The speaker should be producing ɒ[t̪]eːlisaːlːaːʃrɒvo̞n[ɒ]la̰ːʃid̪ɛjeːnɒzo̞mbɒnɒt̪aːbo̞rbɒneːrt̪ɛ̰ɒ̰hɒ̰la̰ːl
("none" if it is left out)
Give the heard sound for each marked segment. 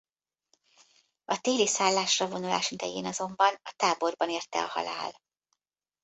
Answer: t̪, u

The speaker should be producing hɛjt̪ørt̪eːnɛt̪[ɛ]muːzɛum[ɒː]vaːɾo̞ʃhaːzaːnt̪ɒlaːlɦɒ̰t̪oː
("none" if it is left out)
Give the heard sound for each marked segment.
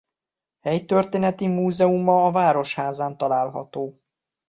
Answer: i, ɒː

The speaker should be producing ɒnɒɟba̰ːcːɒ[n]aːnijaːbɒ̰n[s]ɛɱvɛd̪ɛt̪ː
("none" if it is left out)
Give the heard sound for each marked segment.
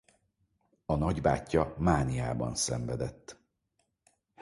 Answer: m, s

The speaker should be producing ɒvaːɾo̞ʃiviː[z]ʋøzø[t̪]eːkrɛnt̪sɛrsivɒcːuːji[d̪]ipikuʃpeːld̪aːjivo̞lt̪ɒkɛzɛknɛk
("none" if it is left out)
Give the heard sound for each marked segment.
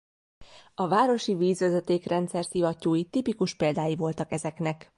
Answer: z, t̪, t̪

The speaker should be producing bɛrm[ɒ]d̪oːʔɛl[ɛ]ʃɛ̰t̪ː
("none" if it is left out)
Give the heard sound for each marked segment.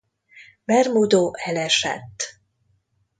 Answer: u, ɛ

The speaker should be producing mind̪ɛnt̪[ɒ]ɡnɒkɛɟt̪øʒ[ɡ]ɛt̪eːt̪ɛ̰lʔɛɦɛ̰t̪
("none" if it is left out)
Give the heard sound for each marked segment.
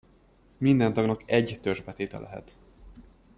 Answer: ɒ, b

